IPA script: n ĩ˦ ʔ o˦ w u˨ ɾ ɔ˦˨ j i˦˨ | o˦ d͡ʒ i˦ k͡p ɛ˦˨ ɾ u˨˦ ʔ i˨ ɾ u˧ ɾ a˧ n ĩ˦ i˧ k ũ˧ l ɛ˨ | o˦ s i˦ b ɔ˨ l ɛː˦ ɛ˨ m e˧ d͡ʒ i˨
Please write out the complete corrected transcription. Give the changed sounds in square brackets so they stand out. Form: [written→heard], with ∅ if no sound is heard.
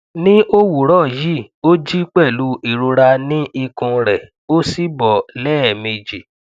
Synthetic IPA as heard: n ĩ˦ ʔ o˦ w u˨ ɾ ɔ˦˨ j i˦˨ | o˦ d͡ʒ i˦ k͡p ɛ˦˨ [ɾ→l] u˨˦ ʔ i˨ ɾ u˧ ɾ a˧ n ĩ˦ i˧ k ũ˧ [l→ɾ] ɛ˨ | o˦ s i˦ b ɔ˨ l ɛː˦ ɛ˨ m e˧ d͡ʒ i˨

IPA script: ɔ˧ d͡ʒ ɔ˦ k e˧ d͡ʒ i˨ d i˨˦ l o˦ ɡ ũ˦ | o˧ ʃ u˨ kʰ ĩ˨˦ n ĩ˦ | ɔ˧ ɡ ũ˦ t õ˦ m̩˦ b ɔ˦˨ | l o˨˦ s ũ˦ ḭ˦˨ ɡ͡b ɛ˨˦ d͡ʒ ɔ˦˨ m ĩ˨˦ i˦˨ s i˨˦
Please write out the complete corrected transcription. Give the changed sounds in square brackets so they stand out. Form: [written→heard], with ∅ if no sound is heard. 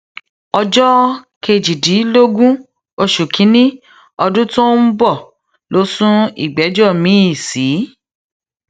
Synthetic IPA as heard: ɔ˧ d͡ʒ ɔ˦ k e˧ d͡ʒ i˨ d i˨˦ l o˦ ɡ ũ˦ | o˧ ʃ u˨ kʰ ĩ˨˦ n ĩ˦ | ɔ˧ [ɡ→d] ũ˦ t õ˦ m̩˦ b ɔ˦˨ | l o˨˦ s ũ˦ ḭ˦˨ ɡ͡b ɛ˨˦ d͡ʒ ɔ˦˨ m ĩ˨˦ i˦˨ s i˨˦

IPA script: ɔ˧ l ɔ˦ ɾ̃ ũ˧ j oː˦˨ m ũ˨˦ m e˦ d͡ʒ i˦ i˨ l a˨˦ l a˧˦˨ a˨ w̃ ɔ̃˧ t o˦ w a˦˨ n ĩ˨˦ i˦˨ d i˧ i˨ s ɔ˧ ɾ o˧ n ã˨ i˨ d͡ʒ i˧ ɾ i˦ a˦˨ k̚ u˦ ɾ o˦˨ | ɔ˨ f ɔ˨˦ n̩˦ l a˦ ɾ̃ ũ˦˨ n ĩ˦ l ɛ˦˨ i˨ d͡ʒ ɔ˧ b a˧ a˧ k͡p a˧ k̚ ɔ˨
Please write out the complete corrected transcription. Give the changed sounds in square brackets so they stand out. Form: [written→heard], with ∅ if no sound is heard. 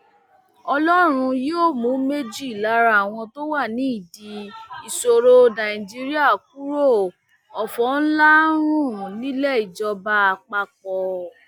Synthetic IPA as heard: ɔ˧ l ɔ˦ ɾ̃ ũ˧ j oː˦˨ m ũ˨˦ m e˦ d͡ʒ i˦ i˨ l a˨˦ [l→ɾ] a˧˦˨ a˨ w̃ ɔ̃˧ t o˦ w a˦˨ n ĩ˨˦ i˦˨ d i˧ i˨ s [ɔ˧→o˧] ɾ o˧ n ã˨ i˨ d͡ʒ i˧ ɾ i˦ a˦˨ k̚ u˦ ɾ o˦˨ | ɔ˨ f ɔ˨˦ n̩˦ l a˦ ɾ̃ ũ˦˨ n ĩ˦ l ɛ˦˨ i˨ d͡ʒ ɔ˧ b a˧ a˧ k͡p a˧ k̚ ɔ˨

